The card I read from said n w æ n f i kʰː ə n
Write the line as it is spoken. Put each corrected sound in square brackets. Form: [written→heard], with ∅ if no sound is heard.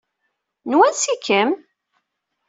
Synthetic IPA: n w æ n [f→s] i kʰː ə [n→m]